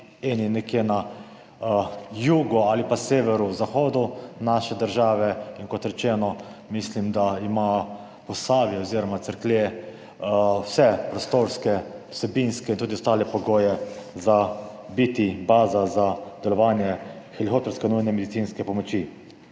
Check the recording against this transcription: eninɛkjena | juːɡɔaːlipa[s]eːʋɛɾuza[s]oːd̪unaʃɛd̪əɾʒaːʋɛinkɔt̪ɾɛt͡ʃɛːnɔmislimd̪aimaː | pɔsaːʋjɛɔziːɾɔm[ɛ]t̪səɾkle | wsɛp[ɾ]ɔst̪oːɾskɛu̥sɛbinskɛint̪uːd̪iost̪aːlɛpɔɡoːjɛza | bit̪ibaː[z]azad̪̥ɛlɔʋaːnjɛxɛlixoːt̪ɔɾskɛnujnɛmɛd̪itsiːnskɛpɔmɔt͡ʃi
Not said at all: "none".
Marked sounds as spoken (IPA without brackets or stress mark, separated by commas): s, x, a, ɾ, z